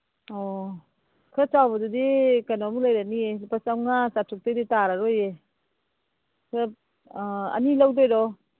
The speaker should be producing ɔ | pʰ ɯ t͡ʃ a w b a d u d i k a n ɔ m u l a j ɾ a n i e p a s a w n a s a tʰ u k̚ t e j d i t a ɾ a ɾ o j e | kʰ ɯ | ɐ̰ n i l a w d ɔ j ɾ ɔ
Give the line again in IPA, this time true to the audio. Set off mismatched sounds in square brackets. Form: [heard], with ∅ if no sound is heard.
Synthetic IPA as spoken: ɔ | [kʰ] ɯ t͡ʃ a w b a d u d i k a n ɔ m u l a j ɾ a n i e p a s a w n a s a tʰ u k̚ t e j d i t a ɾ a ɾ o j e | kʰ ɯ | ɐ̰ n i l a w d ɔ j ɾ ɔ

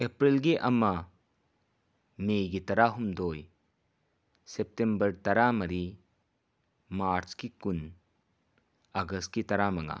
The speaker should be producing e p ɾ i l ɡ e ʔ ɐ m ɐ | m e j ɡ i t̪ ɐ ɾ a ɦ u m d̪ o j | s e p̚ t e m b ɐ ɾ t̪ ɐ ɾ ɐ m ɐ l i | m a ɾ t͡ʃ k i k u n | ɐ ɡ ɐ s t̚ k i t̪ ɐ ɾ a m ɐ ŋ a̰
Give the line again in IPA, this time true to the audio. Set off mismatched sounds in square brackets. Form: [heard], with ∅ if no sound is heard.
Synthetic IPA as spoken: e p ɾ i l ɡ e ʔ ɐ m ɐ | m e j ɡ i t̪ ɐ ɾ a ɦ u m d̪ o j | s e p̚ t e m b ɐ ɾ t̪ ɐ ɾ [a] m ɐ [ɾ] i | m a ɾ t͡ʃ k i k u n | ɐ ɡ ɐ s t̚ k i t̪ ɐ ɾ a m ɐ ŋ a̰

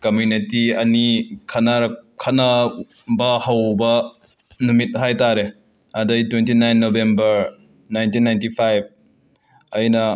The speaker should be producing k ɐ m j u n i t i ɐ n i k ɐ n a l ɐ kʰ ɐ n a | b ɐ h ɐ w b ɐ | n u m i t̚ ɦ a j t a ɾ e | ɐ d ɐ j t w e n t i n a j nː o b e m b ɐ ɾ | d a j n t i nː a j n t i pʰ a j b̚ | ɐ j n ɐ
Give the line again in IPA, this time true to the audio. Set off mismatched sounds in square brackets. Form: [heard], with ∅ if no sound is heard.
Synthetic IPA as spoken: k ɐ m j u n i t i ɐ n i [kʰ] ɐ n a [ɾ] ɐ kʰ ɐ n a | b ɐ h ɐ w b ɐ | n u m i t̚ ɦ a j t a ɾ e | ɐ d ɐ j t w e n t i n a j nː o b e m b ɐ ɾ | [n] a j n t i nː a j n t i pʰ a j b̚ | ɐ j n ɐ

